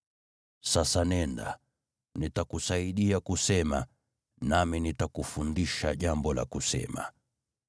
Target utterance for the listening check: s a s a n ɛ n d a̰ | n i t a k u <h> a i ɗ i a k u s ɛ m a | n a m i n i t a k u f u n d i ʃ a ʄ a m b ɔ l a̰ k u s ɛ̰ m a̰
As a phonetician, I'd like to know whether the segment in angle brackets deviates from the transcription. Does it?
yes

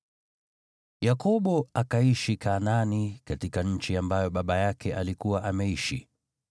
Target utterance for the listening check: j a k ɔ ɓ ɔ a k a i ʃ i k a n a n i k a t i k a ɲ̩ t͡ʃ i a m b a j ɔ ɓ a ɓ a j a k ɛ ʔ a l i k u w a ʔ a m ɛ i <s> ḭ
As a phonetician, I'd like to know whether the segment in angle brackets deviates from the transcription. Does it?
yes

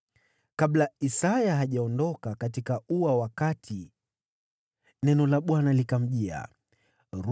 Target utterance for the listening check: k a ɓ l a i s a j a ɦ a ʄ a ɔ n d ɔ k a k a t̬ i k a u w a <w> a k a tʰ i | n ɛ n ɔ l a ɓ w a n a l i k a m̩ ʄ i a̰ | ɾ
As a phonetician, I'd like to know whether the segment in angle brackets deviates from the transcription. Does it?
no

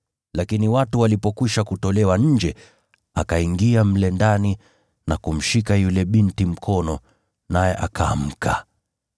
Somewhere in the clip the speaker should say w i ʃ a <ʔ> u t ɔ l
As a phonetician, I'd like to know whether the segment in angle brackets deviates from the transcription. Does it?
yes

